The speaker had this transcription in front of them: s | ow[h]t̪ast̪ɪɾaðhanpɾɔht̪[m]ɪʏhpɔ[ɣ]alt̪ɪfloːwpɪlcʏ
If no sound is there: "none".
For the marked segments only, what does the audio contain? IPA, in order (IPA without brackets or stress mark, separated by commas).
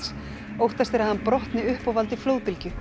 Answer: h, n, v